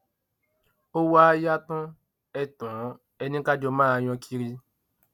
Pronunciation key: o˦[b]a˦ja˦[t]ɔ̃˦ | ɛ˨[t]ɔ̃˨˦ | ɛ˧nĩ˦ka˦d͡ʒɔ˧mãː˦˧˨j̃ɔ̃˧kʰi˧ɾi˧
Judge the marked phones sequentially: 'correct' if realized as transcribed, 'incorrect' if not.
incorrect, correct, correct

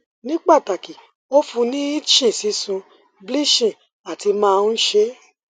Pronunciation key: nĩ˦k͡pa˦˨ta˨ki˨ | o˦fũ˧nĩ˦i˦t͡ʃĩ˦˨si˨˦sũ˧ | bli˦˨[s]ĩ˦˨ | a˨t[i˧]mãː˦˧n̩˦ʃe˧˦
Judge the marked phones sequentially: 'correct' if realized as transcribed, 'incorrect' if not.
incorrect, correct

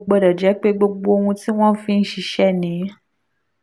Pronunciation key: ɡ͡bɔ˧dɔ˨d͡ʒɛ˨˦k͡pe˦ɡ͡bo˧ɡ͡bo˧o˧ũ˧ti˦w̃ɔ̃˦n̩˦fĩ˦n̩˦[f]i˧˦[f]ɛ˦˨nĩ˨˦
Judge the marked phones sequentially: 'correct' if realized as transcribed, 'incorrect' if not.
incorrect, incorrect

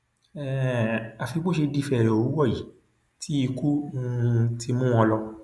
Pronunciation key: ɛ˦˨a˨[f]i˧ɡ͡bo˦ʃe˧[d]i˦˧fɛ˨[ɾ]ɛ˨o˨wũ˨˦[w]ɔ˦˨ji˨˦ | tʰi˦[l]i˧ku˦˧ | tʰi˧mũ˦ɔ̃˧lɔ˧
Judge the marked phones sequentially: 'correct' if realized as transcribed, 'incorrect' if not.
correct, correct, correct, correct, incorrect

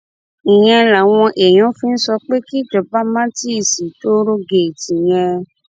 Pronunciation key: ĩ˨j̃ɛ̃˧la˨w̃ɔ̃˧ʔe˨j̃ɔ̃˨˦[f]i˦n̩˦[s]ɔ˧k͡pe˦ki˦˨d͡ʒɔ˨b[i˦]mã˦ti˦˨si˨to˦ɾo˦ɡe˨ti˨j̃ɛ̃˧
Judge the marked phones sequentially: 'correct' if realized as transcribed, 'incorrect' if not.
correct, correct, incorrect

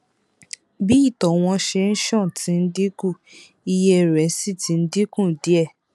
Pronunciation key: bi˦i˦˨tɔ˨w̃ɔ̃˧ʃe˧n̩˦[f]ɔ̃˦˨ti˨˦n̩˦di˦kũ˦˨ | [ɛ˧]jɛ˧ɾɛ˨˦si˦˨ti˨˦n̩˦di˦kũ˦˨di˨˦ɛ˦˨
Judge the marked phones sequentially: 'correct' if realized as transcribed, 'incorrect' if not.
incorrect, incorrect

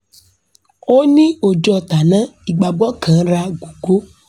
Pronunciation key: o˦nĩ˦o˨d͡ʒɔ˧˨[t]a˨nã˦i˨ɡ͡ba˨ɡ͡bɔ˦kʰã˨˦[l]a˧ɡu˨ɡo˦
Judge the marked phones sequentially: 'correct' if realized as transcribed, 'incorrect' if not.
correct, incorrect

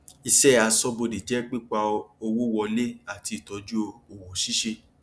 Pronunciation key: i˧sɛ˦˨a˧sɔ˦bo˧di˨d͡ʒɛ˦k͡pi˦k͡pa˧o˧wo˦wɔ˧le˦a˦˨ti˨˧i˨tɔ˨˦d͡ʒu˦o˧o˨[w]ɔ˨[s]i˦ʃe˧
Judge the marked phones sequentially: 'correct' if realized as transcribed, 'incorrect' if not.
correct, incorrect

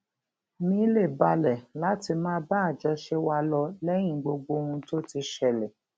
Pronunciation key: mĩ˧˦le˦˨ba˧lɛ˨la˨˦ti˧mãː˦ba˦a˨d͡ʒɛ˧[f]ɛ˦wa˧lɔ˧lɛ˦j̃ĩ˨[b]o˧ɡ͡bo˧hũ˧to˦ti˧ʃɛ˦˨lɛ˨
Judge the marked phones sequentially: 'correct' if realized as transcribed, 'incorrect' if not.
incorrect, incorrect

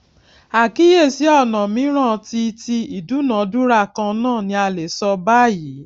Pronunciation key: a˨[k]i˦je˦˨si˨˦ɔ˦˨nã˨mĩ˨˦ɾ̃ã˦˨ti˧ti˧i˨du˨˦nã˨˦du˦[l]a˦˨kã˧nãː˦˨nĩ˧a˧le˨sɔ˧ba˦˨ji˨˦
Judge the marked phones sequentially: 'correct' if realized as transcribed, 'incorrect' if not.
correct, incorrect

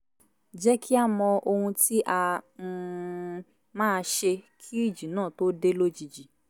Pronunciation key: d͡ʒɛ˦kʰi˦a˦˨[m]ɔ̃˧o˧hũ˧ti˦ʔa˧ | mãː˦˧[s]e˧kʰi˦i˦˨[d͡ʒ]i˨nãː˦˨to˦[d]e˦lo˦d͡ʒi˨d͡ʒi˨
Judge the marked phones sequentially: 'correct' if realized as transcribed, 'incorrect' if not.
correct, incorrect, correct, correct

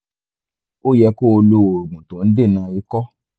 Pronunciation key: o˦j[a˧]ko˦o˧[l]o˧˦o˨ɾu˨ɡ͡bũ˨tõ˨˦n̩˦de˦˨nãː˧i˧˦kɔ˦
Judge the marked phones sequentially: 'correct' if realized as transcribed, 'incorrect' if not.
incorrect, correct

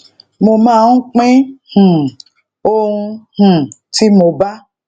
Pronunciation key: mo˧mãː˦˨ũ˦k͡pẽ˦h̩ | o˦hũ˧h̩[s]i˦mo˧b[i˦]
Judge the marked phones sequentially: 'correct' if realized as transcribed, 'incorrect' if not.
incorrect, incorrect

